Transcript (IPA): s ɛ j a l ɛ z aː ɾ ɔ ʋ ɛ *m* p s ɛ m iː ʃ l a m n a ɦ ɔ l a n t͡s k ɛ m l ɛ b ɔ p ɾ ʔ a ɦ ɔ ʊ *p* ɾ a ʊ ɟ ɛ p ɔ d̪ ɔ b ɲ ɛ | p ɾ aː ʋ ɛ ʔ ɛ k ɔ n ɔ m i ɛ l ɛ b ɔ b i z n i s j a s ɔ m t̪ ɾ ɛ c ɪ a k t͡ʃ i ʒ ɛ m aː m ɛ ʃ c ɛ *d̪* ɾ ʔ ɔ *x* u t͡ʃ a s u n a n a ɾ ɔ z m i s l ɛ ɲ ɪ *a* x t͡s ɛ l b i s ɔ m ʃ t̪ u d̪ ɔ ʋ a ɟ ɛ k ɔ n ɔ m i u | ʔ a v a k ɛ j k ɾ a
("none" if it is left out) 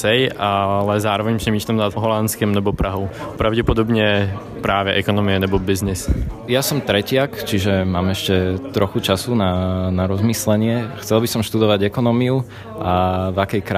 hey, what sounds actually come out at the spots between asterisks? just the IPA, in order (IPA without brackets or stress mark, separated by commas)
ɲ, p, t̪, x, ɛ